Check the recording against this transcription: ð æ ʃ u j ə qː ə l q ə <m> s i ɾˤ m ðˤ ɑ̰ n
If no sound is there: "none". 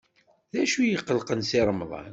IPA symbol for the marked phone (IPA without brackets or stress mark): n